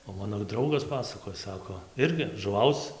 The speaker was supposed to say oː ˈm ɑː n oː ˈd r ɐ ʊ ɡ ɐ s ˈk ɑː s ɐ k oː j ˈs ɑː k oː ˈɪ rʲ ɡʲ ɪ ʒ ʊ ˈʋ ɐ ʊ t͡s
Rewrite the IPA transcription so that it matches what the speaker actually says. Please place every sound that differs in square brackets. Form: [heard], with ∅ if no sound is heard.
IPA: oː ˈm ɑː n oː ˈd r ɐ ʊ ɡ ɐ s [ˈp] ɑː s ɐ k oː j ˈs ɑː k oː ˈɪ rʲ ɡʲ ɪ ʒ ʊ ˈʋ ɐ ʊ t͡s